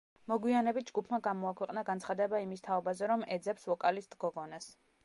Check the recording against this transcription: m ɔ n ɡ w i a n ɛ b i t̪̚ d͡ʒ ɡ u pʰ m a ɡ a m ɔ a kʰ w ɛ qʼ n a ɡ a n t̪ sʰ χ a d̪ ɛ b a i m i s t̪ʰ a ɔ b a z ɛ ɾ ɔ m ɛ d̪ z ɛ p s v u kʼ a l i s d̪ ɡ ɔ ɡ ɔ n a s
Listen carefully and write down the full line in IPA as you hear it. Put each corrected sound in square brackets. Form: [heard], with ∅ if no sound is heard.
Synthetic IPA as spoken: m ɔ [∅] ɡ w i a n ɛ b i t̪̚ d͡ʒ ɡ u pʰ m a ɡ a m ɔ a kʰ w ɛ qʼ n a ɡ a n t̪ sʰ χ a d̪ ɛ b a i m i s t̪ʰ a ɔ b a z ɛ ɾ ɔ m ɛ d̪ z ɛ p s v [ɔ] kʼ a l i s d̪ ɡ ɔ ɡ ɔ n a s